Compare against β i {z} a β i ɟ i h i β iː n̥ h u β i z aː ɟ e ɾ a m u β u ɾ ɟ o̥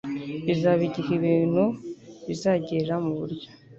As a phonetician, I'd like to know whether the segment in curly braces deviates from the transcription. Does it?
no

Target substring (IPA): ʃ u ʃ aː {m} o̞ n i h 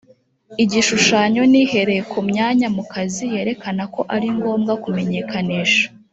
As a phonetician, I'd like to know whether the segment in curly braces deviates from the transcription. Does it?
yes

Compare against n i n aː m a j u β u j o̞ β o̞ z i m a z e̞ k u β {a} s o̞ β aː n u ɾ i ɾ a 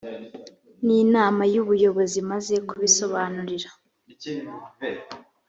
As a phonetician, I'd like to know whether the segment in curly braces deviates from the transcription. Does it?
yes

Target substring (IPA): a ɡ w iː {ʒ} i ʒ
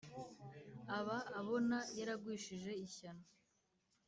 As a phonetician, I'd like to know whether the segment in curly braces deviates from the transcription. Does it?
yes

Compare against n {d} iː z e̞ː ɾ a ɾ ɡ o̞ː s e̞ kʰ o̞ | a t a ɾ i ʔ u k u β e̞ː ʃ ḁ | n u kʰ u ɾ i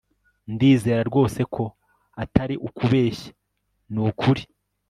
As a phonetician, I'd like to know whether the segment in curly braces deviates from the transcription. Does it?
no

